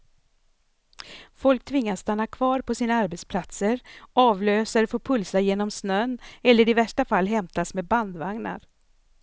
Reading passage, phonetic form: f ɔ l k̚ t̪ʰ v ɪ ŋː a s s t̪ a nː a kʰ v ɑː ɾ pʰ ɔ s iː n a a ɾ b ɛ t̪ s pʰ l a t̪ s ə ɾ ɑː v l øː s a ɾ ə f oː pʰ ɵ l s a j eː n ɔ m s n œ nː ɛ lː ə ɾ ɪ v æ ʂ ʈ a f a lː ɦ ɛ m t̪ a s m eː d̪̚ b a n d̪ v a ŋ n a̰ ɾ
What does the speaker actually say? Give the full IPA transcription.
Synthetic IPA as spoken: f ɔ l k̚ t̪ʰ v ɪ ŋː a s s t̪ a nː a kʰ v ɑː ɾ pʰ ɔ s iː n a a ɾ b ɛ t̪ s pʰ l a t̪ s ə ɾ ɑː v l øː s a ɾ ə f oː pʰ ɵ l s a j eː n ɔ m s n œ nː ɛ lː ə ɾ ɪ v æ ʂ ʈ a f a lː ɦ ɛ m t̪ a s m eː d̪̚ b a n d̪ v a ŋ n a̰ ɾ